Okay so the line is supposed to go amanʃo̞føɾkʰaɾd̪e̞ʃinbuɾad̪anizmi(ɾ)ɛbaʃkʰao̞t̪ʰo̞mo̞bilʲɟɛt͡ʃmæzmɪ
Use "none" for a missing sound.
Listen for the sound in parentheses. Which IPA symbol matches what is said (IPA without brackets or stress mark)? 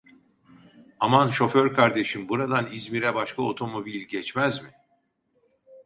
ɾ